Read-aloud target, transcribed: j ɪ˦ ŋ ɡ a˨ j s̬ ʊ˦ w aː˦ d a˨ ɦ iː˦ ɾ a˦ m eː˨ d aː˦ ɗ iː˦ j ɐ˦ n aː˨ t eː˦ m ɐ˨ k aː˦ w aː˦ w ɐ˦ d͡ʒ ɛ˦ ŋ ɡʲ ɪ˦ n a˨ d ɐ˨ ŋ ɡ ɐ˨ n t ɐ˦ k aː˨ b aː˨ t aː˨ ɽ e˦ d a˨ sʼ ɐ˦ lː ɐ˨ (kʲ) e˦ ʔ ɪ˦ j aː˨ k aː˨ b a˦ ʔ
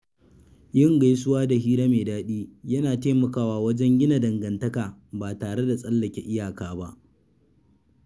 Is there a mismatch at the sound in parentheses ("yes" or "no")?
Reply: no